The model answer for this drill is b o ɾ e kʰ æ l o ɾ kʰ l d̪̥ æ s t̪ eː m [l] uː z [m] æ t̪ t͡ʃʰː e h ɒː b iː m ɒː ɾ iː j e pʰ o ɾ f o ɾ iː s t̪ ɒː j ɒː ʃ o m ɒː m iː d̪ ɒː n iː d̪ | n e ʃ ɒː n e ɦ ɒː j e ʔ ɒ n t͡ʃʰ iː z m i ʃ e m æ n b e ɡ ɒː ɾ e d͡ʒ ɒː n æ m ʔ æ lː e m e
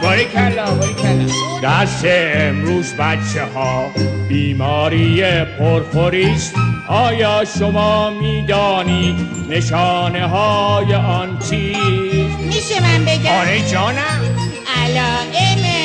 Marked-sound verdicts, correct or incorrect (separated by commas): incorrect, incorrect